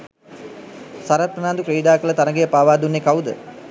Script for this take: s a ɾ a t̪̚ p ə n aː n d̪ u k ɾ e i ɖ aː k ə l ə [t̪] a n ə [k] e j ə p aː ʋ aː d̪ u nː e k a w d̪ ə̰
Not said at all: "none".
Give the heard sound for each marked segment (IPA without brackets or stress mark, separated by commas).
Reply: t̪, ɡ